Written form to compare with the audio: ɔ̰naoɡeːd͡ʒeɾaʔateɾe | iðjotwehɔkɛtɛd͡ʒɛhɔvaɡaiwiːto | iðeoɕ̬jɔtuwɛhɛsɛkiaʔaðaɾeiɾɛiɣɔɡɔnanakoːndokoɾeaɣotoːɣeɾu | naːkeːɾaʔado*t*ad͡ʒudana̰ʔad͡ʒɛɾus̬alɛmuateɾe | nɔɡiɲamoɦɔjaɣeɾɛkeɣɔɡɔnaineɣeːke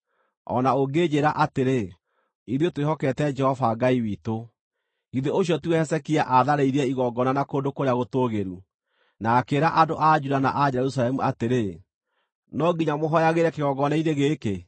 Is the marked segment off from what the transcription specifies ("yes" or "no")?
yes